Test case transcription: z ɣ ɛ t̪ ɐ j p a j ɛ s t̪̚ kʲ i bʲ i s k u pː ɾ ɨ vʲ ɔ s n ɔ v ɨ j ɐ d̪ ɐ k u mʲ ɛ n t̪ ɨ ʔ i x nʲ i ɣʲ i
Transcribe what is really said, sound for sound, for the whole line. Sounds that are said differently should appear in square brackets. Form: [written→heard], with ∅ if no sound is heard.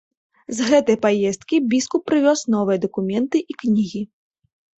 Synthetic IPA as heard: z ɣ ɛ t̪ ɐ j p a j ɛ s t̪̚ kʲ i bʲ i s k u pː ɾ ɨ vʲ ɔ s n ɔ v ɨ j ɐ d̪ ɐ k u mʲ ɛ n t̪ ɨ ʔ i [x→k] nʲ i ɣʲ i

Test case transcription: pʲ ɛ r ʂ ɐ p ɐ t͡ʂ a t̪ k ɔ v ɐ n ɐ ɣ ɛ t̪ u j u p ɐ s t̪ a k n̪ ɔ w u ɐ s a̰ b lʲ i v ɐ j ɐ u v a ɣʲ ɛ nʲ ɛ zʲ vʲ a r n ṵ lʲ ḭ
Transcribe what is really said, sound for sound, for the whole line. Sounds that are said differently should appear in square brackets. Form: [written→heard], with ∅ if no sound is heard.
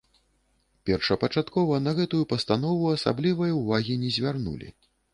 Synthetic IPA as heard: pʲ ɛ r ʂ ɐ p ɐ t͡ʂ a t̪ k ɔ v ɐ n ɐ ɣ ɛ t̪ u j u p ɐ s t̪ a [k→∅] n̪ ɔ [w→v] u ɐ s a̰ b lʲ i v ɐ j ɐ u v a ɣʲ [ɛ→i] nʲ ɛ zʲ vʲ a r n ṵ lʲ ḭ

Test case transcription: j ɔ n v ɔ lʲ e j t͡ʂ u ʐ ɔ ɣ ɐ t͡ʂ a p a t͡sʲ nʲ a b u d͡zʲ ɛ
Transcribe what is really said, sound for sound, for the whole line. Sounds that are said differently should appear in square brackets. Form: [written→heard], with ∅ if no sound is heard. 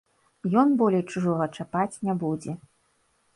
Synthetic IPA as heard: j ɔ n [v→b] ɔ lʲ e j t͡ʂ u ʐ ɔ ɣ ɐ t͡ʂ a p a t͡sʲ nʲ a b u d͡zʲ ɛ

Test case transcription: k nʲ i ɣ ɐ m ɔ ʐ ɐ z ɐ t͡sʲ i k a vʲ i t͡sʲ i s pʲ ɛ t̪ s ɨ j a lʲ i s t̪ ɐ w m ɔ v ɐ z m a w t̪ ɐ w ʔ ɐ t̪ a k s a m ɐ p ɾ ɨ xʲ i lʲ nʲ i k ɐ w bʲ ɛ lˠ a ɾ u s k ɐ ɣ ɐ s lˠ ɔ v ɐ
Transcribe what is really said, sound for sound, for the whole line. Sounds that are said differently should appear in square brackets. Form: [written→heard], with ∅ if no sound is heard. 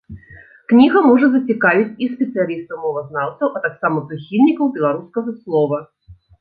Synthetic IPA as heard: k nʲ i ɣ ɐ m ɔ ʐ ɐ z ɐ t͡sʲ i k a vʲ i t͡sʲ i s pʲ ɛ t̪ s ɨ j a lʲ i s t̪ ɐ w m ɔ v ɐ z [m→n] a w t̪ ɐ w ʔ ɐ t̪ a k s a m ɐ p ɾ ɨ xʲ i lʲ nʲ i k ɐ w bʲ ɛ lˠ a ɾ u s k ɐ ɣ ɐ s lˠ ɔ v ɐ

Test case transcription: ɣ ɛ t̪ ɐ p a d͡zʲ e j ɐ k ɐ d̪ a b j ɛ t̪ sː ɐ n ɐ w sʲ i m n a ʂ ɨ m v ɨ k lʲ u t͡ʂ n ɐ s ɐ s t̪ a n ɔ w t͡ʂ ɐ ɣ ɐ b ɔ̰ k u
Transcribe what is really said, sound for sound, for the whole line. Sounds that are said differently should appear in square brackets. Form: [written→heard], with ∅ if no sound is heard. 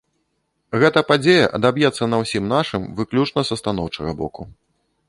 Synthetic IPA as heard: ɣ ɛ t̪ ɐ p a d͡zʲ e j ɐ [k→ʔ] ɐ d̪ a b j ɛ t̪ sː ɐ n ɐ w sʲ i m n a ʂ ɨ m v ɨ k lʲ u t͡ʂ n ɐ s ɐ s t̪ a n ɔ w t͡ʂ ɐ ɣ ɐ b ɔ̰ k u

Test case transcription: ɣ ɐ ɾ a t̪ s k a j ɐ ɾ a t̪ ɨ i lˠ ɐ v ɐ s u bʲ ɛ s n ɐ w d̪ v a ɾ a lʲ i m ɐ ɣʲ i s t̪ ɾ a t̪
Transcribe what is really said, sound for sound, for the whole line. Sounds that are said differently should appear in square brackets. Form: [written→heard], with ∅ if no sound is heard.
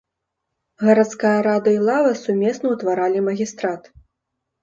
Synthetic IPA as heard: ɣ ɐ ɾ a t̪ s k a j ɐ ɾ a [t̪→d̪] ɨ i lˠ [ɐ→a] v ɐ s u [bʲ→mʲ] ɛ s n ɐ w [d̪→t̪] v a ɾ a lʲ i m ɐ ɣʲ i s t̪ ɾ a t̪

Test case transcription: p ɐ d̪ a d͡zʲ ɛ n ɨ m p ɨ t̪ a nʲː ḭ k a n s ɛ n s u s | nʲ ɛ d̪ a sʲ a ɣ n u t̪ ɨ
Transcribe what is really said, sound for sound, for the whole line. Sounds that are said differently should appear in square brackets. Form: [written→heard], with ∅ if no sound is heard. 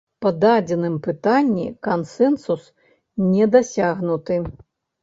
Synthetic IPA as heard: p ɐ d̪ a d͡zʲ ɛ n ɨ m p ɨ t̪ a nʲː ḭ k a n s ɛ n s u s | nʲ ɛ d̪ a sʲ a ɣ n u t̪ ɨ

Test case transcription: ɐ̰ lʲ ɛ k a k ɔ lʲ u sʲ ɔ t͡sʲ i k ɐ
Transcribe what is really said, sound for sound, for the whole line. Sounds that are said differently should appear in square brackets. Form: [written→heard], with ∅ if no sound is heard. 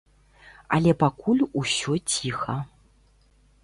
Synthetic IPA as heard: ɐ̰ lʲ ɛ [k→p] a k [ɔ→u] lʲ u sʲ ɔ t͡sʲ i [k→x] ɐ

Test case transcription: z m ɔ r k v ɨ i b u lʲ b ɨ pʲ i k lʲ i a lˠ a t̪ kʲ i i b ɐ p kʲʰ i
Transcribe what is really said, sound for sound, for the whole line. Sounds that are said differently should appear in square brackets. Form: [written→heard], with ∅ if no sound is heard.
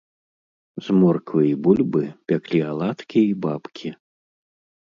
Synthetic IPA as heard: z m ɔ r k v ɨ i b u lʲ b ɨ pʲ [i→a] k lʲ i a lˠ a t̪ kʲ i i b [ɐ→a] p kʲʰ i

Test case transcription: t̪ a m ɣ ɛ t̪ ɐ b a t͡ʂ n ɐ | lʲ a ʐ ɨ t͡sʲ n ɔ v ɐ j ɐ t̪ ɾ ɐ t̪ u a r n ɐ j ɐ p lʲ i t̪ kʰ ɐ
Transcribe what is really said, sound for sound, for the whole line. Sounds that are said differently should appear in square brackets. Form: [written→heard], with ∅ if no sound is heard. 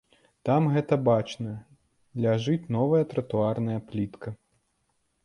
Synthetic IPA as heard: t̪ a m ɣ ɛ t̪ ɐ b a t͡ʂ n ɐ | lʲ a ʐ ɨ t͡sʲ n ɔ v ɐ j ɐ t̪ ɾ ɐ t̪ u a r n ɐ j ɐ p lʲ i t̪ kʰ ɐ

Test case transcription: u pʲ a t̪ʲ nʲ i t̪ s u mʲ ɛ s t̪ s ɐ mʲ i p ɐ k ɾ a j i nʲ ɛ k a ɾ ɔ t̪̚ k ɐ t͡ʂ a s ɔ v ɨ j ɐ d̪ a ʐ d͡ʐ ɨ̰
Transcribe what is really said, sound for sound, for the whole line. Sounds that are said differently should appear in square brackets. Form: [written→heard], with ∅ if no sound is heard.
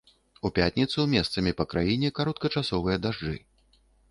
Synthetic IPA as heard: u pʲ a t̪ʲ nʲ i t̪ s u mʲ ɛ s t̪ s ɐ mʲ i p ɐ k ɾ a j i nʲ ɛ k a ɾ ɔ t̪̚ k ɐ t͡ʂ a s ɔ v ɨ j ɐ d̪ a ʐ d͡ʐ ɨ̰

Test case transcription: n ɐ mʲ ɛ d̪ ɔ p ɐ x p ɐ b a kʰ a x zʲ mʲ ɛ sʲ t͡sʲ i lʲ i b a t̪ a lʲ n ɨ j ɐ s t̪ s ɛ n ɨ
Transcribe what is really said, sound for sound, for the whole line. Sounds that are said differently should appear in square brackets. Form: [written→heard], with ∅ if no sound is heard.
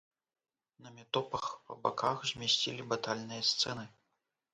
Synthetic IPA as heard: n ɐ mʲ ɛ [d̪→t̪] ɔ p ɐ x p ɐ b a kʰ a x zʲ mʲ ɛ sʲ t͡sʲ i lʲ i b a t̪ a lʲ n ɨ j ɐ s t̪ s ɛ n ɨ

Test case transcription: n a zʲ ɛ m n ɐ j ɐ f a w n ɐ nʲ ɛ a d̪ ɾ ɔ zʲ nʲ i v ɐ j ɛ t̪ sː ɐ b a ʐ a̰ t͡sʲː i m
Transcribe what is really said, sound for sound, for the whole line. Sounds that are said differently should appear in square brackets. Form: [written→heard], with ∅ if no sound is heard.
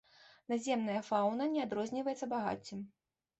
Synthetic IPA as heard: n a zʲ ɛ m n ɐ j ɐ f a w n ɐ nʲ ɛ a d̪ ɾ ɔ zʲ nʲ i v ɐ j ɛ t̪ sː ɐ b a [ʐ→ɣ] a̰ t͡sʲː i m

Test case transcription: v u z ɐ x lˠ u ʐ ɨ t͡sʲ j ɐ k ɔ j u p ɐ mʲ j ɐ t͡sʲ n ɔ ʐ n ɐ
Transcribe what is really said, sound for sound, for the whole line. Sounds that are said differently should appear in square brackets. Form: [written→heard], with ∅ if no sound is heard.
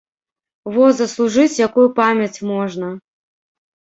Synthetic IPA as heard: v [u→ɔ] z ɐ [x→s] lˠ u ʐ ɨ t͡sʲ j [ɐ→a] k [ɔ→u] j u p [ɐ→a] mʲ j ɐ t͡sʲ [n→m] ɔ ʐ n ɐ

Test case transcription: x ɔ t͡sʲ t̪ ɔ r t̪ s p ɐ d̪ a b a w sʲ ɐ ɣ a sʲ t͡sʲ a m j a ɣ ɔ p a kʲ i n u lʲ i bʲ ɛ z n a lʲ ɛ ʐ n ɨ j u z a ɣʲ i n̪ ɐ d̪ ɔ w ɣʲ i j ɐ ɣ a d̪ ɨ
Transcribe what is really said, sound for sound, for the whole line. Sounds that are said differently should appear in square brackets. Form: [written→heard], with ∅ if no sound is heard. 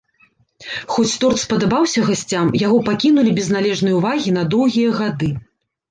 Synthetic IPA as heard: x ɔ t͡sʲ t̪ ɔ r t̪ s p ɐ d̪ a b a w sʲ ɐ ɣ a sʲ t͡sʲ a m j a ɣ ɔ p a kʲ i n u lʲ i bʲ ɛ z n a lʲ ɛ ʐ n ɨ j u [z→v] a ɣʲ i n̪ ɐ d̪ ɔ w ɣʲ i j ɐ ɣ a d̪ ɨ

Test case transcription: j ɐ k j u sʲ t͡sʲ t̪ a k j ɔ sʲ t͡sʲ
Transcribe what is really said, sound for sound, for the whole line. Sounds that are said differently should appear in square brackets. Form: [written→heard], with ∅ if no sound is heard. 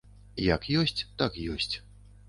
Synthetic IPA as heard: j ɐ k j [u→ɔ] sʲ t͡sʲ t̪ a k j ɔ sʲ t͡sʲ

